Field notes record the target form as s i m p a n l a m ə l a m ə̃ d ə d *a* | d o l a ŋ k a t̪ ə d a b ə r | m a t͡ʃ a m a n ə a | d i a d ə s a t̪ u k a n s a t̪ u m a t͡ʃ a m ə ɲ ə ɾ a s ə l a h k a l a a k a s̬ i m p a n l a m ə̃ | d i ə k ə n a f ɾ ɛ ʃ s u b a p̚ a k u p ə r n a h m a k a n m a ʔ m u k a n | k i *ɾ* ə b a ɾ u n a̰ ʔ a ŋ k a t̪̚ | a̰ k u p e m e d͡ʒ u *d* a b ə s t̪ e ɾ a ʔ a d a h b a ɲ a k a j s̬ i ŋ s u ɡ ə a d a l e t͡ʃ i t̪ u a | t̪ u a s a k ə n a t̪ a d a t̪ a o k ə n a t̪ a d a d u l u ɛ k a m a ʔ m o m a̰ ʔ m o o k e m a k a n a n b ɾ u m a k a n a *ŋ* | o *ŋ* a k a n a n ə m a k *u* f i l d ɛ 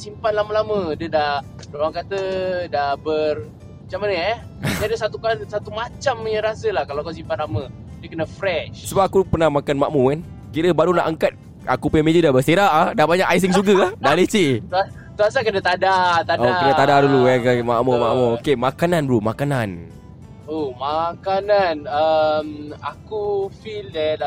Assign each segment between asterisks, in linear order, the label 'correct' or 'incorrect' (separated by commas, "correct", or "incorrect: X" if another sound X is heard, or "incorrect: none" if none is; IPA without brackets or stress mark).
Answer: correct, correct, correct, incorrect: n, incorrect: m, correct